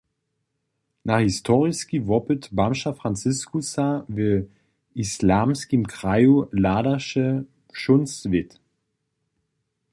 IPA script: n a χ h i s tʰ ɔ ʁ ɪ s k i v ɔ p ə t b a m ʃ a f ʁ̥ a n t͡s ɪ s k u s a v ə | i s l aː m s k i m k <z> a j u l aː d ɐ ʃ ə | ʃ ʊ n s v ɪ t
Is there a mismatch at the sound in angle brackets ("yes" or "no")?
yes